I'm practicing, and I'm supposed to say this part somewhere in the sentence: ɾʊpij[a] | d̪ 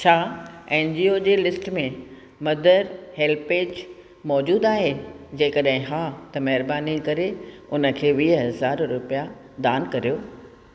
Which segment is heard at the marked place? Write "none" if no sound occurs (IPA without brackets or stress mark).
a